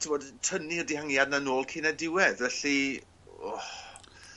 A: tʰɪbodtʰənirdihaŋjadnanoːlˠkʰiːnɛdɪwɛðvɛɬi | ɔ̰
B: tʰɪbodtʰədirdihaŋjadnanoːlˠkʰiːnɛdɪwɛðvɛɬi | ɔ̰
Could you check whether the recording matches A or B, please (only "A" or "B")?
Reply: A